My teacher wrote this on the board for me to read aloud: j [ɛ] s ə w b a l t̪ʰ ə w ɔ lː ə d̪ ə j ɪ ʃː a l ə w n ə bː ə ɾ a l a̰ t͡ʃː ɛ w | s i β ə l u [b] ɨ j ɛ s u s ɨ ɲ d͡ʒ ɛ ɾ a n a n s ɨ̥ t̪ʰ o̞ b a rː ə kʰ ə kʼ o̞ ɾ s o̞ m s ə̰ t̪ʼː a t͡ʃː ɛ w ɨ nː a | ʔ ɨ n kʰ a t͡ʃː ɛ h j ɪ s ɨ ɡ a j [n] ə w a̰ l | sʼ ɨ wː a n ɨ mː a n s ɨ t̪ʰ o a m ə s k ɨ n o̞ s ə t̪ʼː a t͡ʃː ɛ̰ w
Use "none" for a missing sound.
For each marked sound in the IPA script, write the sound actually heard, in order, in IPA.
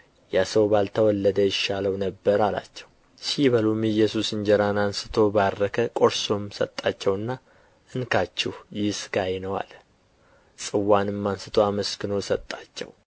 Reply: a, m, n

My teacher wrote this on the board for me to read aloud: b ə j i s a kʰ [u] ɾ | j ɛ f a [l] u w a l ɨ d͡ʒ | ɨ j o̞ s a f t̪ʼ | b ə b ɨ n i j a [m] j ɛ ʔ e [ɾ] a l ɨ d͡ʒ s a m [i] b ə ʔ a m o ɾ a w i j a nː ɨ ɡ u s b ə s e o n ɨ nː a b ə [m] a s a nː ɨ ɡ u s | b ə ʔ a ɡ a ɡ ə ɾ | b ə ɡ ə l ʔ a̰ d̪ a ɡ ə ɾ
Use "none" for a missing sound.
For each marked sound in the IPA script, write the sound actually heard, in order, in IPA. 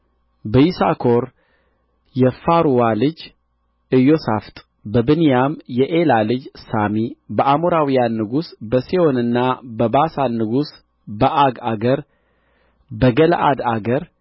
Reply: o, ɾ, m, l, i, b

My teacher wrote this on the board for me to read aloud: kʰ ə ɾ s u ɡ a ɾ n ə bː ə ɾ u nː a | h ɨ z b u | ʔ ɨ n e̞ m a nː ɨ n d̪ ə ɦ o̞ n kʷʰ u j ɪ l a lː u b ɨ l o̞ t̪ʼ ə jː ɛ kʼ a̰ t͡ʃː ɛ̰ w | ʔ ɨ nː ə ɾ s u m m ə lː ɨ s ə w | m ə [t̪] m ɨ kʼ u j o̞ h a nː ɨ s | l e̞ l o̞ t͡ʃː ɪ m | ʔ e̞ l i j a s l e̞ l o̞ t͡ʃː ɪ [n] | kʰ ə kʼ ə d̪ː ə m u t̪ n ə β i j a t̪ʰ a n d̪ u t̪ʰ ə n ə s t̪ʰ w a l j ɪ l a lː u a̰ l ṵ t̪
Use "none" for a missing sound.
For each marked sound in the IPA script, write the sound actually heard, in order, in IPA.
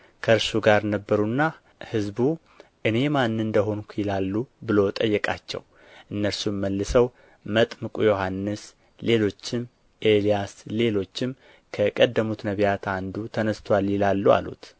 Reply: t̪ʼ, m

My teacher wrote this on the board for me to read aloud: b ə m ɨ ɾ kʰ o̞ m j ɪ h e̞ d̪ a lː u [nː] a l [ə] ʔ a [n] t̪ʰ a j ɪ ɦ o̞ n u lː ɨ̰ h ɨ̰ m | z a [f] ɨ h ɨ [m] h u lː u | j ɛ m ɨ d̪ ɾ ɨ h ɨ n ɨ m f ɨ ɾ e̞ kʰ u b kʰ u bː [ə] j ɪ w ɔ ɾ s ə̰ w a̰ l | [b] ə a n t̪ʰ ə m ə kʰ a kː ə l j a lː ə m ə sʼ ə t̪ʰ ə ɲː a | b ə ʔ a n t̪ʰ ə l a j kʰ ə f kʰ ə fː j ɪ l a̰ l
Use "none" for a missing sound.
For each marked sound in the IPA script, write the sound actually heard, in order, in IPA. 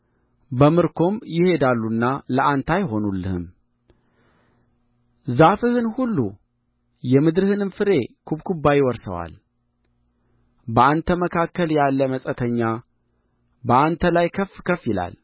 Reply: nː, ə, n, f, n, a, b

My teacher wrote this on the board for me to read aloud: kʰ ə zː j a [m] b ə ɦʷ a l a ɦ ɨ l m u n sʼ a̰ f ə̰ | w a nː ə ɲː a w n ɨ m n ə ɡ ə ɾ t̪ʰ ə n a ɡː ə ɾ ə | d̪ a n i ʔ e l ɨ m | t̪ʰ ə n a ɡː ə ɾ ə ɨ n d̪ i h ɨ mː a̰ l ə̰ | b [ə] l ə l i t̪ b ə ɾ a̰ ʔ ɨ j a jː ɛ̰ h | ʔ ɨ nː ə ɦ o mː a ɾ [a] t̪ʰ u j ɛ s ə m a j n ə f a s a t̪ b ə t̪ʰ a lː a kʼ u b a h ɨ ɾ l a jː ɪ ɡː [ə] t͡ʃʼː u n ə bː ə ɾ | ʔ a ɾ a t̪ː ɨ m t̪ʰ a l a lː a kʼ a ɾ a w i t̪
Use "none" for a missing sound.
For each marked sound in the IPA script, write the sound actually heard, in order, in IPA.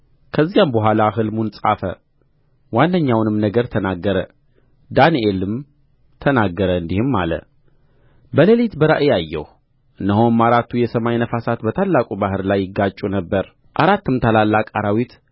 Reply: m, ə, a, a

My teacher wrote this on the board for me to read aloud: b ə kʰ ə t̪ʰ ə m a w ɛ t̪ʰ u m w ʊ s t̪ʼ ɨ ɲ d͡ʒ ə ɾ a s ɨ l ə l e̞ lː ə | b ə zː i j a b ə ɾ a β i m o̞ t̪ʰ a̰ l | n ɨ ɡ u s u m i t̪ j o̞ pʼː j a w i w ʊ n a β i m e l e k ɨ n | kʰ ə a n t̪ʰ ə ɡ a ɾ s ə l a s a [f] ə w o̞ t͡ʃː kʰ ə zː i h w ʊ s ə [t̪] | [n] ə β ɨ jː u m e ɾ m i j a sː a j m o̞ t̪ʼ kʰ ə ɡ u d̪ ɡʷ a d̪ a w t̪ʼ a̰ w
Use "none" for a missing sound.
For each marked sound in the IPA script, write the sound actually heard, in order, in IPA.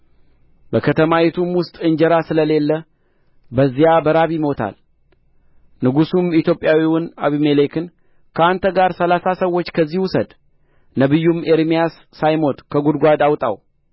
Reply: s, d̪, n

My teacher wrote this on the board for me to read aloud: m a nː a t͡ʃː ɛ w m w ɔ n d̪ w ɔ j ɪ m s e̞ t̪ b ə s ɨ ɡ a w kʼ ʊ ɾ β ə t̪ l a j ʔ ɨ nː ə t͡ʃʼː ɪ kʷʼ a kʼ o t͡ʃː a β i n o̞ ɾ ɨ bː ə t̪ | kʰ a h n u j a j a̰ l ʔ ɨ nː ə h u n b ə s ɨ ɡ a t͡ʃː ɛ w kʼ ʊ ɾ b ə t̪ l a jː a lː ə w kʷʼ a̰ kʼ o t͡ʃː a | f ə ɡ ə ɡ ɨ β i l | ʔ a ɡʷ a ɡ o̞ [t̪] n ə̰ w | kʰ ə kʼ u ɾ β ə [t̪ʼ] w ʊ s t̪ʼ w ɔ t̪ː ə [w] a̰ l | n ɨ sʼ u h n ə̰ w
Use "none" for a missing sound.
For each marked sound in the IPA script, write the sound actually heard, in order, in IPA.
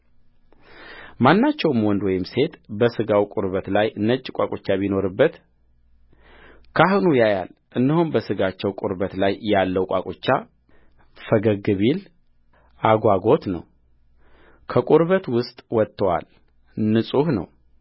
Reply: t̪, t̪, w

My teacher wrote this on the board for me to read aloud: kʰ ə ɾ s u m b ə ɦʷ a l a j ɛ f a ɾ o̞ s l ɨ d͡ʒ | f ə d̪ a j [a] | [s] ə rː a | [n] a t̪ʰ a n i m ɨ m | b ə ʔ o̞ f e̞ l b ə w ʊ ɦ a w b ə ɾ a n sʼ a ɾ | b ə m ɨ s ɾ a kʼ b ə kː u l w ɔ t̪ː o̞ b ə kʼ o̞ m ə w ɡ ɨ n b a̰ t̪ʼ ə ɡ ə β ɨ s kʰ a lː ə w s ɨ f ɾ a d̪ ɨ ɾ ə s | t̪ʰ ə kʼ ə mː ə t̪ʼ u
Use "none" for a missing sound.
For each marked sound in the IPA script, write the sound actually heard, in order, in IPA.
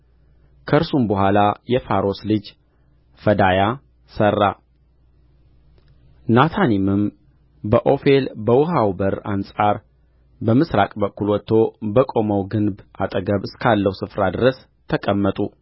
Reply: a, s, n

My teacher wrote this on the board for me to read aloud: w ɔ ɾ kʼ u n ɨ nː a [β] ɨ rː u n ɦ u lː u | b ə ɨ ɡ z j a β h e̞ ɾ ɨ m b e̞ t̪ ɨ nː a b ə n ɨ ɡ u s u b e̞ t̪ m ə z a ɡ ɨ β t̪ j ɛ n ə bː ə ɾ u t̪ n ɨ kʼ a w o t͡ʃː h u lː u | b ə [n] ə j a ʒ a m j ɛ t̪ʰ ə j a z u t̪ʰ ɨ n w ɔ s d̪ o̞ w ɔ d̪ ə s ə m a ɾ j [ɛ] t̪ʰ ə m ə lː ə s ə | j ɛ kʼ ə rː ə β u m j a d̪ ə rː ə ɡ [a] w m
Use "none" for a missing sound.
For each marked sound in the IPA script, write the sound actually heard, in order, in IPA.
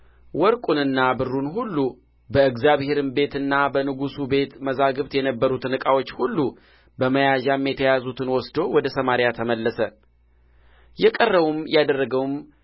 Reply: b, m, a, ə

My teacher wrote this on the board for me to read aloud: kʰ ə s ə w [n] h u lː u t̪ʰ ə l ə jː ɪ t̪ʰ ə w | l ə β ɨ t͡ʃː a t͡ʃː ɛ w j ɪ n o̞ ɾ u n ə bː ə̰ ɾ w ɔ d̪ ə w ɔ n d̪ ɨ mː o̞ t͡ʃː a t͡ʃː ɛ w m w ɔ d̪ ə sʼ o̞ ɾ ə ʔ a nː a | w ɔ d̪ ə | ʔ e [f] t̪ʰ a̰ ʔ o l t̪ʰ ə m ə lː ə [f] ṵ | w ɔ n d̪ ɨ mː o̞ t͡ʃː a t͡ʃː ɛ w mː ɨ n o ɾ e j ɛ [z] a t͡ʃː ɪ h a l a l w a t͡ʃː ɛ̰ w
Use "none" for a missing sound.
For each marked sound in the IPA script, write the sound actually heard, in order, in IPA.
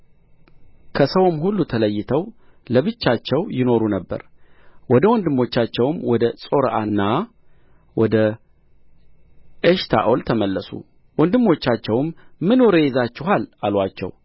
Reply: m, ʃ, s, z

